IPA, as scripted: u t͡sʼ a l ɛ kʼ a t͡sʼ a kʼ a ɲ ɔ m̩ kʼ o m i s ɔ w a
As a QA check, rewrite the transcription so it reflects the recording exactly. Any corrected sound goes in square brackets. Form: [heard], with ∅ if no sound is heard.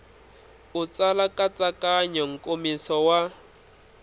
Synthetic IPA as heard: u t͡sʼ a l [a] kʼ a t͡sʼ a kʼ a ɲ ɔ [ŋ̩] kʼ o m i s ɔ w a